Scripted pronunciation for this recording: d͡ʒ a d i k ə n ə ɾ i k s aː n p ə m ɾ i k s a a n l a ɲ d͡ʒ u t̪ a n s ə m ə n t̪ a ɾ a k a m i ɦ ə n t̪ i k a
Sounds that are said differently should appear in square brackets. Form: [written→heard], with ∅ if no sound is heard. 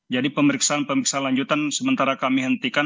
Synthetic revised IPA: d͡ʒ a d i [k→p] ə [n→m] ə ɾ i k s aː n p ə m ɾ i k s a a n l a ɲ d͡ʒ u t̪ a n s ə m ə n t̪ a ɾ a k a m i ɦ ə n t̪ i k a